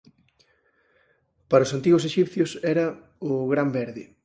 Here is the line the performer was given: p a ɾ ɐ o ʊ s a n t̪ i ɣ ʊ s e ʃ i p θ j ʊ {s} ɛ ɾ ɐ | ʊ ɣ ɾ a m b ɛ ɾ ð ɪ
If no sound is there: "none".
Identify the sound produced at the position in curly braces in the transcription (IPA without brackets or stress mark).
s